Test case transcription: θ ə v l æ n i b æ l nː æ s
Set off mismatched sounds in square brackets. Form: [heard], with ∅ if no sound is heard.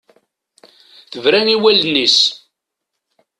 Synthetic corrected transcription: θ ə v [ɾ] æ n i [w] æ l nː [i] s